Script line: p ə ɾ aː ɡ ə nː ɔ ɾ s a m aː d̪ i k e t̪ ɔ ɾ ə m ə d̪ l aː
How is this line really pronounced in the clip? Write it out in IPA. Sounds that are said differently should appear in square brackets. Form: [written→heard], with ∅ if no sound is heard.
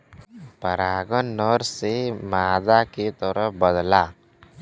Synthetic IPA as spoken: p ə ɾ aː ɡ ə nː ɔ ɾ s [a→e] m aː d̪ [i→a] k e t̪ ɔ ɾ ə [m→b] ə d̪ l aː